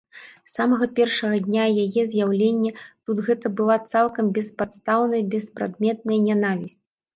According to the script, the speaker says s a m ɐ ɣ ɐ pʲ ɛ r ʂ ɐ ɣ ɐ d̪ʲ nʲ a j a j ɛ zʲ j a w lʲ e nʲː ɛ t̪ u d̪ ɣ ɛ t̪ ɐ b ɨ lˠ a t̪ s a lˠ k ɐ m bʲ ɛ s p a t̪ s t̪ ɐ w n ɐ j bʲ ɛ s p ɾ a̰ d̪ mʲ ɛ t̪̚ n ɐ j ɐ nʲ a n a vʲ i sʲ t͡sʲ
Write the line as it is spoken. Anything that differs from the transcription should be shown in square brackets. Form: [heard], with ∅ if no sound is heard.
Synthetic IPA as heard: s a m ɐ ɣ ɐ pʲ ɛ r ʂ ɐ ɣ ɐ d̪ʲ nʲ a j a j ɛ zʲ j a w lʲ e nʲː ɛ t̪ u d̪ ɣ ɛ t̪ ɐ b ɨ lˠ a t̪ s a lˠ k ɐ m bʲ ɛ s p a t̪ s t̪ [a] w n ɐ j bʲ ɛ s p ɾ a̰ d̪ mʲ ɛ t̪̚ n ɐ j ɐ nʲ a n a vʲ i sʲ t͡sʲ